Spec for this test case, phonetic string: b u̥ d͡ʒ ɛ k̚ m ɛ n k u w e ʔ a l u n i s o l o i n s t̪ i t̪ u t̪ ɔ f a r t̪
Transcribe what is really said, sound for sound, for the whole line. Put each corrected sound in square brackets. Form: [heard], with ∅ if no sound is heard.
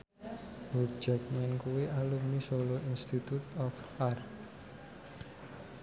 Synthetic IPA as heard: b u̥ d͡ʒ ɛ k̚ m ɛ n k u w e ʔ a l u [m] i s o l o i n s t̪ i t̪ u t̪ ɔ f a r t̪